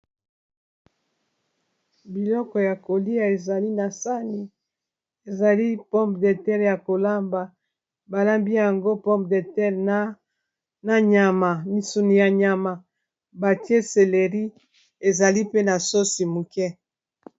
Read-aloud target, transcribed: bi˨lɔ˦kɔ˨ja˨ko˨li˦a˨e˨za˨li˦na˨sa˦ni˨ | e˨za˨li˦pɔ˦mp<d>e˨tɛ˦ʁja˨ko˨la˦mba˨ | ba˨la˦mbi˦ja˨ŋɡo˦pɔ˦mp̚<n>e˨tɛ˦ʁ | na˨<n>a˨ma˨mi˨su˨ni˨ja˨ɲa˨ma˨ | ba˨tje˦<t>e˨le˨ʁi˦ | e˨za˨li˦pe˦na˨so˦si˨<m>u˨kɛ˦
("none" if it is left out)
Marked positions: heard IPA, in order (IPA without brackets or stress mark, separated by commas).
d, d, ɲ, s, m